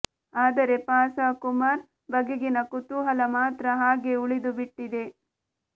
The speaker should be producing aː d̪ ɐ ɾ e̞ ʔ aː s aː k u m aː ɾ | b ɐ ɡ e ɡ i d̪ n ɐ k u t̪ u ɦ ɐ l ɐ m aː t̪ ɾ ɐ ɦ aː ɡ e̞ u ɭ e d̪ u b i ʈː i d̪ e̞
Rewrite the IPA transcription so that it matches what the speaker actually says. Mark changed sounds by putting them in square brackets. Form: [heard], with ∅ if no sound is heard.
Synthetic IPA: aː d̪ ɐ ɾ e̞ [p] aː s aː k u m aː ɾ | b ɐ ɡ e ɡ i [∅] n ɐ k u t̪ u ɦ ɐ l ɐ m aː t̪ ɾ ɐ ɦ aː ɡ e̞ u ɭ [i] d̪ u b i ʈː i d̪ e̞